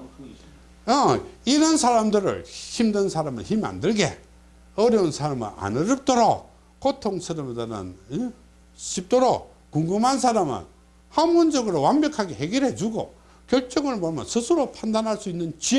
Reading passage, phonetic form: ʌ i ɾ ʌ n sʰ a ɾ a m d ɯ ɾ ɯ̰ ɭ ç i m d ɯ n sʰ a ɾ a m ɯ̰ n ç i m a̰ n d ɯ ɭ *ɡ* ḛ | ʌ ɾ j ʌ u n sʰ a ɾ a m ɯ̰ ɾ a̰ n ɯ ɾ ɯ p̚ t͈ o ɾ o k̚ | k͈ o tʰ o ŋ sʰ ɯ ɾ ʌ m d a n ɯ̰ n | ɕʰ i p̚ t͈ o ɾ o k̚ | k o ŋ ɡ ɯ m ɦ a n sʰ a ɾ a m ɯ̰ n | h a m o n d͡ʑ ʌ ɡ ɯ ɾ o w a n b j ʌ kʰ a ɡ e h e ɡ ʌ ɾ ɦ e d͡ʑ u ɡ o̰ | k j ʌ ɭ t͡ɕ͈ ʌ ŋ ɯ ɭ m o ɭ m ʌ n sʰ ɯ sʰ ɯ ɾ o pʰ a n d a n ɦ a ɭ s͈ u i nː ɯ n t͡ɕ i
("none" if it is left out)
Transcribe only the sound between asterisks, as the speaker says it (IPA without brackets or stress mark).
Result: ɡ